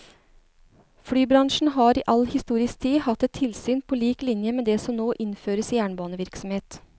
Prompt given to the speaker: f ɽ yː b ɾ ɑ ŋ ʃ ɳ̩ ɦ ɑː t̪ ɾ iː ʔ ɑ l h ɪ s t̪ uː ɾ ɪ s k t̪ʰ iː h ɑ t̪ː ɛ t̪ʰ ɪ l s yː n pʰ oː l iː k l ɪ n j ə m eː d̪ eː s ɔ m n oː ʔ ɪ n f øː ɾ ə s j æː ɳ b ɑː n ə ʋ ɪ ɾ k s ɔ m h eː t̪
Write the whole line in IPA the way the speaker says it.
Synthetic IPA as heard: f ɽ yː b ɾ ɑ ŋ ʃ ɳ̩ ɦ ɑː ɾ iː ʔ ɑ l h ɪ s t̪ uː ɾ ɪ s k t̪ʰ iː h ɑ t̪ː ɛ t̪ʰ ɪ l s yː n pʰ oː l iː k l ɪ n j ə m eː d̪ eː s ɔ m n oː ʔ ɪ n f øː ɾ ə s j æː ɳ b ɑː n ə ʋ ɪ ɾ k s ɔ m h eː t̪